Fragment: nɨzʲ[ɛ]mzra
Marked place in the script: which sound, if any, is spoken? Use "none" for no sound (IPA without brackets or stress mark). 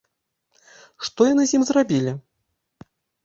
i